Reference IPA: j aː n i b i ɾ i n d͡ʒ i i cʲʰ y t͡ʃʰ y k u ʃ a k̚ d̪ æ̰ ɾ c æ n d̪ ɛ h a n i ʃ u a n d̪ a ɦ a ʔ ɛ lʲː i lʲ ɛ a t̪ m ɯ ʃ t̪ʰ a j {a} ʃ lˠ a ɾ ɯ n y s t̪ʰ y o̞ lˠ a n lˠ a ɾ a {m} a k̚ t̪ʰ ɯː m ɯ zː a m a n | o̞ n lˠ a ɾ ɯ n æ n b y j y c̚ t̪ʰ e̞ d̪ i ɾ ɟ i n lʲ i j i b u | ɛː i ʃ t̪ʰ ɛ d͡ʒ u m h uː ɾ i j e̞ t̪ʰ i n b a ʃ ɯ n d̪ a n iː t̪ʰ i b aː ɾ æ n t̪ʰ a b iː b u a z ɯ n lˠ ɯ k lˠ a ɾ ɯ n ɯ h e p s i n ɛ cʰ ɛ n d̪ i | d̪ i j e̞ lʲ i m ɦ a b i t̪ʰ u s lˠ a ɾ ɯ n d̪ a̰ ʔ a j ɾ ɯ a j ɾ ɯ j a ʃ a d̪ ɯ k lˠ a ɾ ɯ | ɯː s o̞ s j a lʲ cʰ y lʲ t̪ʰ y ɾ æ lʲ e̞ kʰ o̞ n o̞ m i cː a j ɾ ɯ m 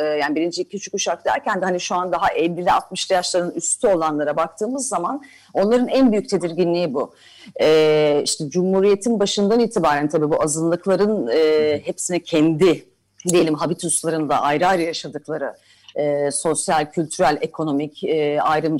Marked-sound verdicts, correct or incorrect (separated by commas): correct, incorrect